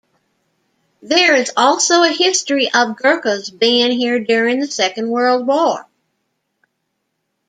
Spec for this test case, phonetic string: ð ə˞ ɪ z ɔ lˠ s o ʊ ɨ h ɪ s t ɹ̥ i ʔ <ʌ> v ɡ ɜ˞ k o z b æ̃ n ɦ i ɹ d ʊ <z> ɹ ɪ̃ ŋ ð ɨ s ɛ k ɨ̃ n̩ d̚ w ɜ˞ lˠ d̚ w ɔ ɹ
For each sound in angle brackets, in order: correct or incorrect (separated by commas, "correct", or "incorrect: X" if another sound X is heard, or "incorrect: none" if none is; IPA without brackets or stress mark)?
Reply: correct, incorrect: none